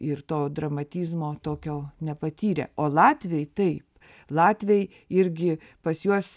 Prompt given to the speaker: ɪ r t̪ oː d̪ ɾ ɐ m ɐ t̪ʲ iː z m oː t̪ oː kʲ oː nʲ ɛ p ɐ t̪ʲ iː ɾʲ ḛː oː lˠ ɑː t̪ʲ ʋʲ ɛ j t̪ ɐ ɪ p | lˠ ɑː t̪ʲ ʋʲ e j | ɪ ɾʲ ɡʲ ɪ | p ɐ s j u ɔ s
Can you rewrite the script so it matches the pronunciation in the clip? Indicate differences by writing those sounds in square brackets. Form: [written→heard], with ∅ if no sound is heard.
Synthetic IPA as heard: ɪ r t̪ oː d̪ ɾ ɐ m ɐ t̪ʲ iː z m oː t̪ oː kʲ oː nʲ ɛ p ɐ t̪ʲ iː ɾʲ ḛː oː lˠ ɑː t̪ʲ ʋʲ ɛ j t̪ ɐ ɪ p | lˠ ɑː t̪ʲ ʋʲ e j | ɪ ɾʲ ɡʲ ɪ | p ɐ s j u ɔ s